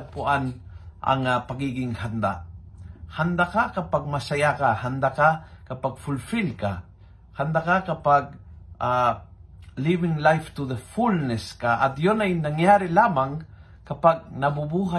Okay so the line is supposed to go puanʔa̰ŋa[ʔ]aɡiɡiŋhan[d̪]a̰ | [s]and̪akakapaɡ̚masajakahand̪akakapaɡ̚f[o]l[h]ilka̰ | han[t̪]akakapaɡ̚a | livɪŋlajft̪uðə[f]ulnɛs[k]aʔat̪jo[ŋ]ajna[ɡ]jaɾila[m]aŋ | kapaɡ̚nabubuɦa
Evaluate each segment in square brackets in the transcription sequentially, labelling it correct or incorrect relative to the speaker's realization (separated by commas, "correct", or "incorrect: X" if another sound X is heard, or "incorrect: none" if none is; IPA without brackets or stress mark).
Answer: incorrect: p, correct, incorrect: h, incorrect: u, incorrect: f, incorrect: d̪, correct, correct, incorrect: n, incorrect: ŋ, correct